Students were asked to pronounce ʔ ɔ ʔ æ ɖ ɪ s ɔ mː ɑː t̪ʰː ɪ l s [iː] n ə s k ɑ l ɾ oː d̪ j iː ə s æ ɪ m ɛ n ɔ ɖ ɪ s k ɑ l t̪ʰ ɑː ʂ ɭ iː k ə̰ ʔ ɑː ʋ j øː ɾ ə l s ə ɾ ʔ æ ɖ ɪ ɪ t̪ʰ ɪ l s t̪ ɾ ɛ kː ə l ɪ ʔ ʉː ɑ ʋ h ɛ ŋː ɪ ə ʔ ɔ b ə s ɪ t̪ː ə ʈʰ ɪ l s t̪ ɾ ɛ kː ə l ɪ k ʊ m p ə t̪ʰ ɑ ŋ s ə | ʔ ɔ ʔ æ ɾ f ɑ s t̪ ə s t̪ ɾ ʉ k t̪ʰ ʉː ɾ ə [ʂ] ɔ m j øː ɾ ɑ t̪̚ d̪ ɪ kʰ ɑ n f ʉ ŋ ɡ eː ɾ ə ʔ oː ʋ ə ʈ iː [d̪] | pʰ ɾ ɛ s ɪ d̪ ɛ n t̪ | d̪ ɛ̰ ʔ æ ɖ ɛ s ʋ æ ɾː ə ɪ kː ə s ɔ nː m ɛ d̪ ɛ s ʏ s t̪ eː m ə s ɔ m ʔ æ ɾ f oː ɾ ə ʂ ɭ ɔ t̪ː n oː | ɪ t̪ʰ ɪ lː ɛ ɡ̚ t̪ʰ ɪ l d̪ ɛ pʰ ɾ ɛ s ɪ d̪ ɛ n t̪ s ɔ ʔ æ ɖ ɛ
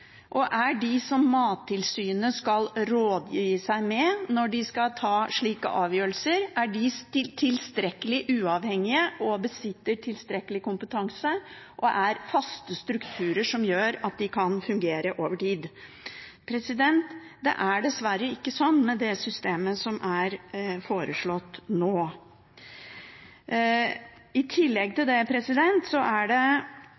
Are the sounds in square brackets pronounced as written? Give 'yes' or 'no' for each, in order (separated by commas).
no, yes, yes